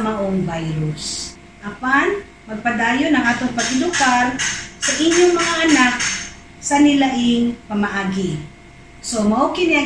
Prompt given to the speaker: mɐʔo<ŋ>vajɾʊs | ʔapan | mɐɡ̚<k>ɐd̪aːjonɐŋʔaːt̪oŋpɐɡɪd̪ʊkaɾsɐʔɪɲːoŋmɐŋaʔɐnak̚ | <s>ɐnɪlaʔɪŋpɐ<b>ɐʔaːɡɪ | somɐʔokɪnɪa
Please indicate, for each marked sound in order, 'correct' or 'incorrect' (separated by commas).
correct, incorrect, correct, incorrect